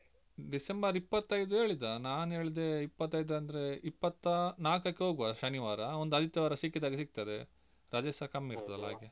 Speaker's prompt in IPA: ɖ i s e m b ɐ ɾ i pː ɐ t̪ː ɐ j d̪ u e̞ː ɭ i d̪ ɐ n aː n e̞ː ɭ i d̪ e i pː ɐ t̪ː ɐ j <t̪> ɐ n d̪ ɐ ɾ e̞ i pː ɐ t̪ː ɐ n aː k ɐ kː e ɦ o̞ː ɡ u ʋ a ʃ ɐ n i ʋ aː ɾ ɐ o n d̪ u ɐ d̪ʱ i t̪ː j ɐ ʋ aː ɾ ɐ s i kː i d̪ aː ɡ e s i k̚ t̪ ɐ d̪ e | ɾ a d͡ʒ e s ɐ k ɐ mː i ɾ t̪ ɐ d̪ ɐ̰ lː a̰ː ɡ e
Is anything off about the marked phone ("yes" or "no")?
yes